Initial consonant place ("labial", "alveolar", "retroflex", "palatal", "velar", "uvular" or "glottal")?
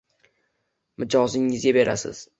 labial